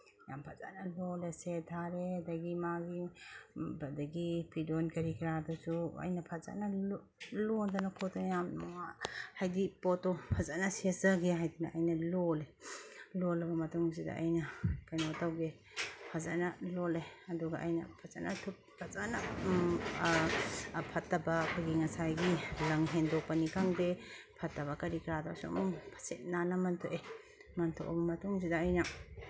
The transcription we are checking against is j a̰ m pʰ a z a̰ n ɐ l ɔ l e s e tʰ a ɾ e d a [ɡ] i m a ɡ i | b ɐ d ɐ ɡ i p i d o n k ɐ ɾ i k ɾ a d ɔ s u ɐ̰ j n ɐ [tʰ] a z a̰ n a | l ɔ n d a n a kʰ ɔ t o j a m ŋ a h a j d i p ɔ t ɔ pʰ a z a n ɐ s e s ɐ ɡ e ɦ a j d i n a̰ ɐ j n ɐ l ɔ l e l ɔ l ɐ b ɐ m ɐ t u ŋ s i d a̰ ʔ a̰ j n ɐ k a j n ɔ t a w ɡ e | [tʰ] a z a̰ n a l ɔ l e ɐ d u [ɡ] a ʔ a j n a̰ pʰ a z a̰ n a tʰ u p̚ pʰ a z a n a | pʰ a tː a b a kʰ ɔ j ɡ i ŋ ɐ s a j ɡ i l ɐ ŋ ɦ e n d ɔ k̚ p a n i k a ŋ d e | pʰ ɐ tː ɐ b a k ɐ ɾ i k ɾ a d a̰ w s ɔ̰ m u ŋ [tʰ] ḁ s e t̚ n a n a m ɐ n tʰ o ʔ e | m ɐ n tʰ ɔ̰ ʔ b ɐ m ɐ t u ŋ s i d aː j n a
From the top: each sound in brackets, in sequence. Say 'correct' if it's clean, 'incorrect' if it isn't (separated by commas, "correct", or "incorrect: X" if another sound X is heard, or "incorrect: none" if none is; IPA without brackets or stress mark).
correct, incorrect: pʰ, incorrect: pʰ, correct, incorrect: pʰ